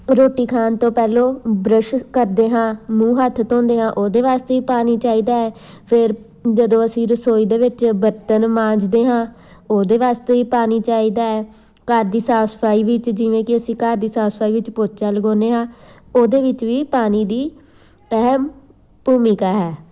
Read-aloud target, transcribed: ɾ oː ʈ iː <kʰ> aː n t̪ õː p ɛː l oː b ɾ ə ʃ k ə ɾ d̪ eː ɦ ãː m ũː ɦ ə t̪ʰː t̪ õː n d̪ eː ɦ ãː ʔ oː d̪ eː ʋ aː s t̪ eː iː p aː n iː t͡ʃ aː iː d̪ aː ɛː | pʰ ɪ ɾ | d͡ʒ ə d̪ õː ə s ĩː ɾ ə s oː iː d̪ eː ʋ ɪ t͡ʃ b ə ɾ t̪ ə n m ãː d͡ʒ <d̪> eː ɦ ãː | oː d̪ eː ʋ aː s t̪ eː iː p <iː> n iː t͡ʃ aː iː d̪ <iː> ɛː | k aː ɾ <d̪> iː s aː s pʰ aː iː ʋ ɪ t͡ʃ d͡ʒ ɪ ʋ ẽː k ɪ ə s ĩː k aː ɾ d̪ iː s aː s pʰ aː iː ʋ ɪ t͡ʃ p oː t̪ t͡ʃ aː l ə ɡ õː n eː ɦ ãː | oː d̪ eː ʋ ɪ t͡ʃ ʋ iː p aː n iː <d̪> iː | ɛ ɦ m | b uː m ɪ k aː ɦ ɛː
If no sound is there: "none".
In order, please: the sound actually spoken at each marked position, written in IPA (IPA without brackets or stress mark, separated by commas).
kʰ, d̪, aː, aː, d̪, d̪